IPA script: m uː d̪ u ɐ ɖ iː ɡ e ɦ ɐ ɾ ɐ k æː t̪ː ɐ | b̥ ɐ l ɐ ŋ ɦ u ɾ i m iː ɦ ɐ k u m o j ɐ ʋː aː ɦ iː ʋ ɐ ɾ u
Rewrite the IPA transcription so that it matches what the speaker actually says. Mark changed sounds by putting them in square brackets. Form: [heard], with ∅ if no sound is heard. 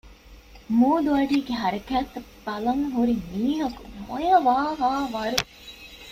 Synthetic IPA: m uː d̪ u ɐ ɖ iː ɡ e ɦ ɐ ɾ ɐ k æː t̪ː ɐ | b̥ ɐ l ɐ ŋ ɦ u ɾ i m iː ɦ ɐ k u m o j ɐ [ʋ] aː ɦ [aː] ʋ ɐ ɾ u